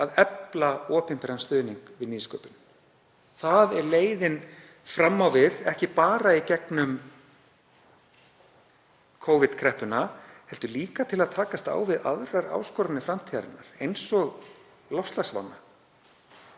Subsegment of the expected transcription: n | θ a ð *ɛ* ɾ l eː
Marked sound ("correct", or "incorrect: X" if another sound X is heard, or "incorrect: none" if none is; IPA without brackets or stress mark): correct